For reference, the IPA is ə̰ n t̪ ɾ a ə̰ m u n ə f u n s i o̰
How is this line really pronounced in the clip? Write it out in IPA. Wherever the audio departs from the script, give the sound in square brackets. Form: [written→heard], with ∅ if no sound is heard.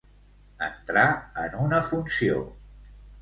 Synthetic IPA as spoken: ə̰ n t̪ ɾ a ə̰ [m→n] u n ə f u n s i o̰